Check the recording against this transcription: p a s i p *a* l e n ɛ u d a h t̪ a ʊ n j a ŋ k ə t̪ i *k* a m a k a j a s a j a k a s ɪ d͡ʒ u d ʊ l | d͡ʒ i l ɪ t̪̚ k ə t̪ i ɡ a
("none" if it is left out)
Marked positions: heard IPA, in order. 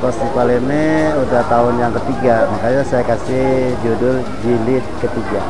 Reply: a, ɡ

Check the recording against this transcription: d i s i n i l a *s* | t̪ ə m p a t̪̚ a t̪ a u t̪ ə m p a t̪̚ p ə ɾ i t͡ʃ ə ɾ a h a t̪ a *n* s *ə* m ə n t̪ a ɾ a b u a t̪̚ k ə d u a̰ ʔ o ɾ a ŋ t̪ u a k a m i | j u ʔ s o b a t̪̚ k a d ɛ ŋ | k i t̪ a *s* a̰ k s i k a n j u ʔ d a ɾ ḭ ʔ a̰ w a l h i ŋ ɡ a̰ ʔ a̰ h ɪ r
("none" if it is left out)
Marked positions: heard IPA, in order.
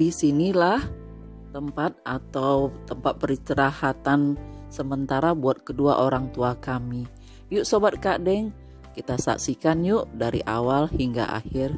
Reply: h, n, ə, s

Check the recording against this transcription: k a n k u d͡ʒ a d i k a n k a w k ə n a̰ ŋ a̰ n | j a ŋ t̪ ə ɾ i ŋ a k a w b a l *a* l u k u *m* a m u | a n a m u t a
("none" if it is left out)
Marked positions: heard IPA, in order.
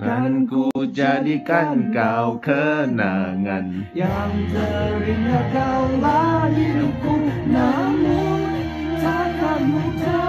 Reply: i, n

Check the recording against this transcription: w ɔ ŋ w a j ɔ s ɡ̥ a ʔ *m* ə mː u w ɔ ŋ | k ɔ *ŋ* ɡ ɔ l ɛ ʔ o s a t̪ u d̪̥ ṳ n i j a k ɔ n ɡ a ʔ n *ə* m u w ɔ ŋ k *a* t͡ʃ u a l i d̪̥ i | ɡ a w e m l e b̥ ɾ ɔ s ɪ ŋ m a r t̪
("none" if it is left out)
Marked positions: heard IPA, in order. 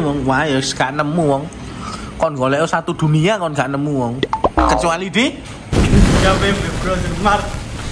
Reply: n, n, ə, ə

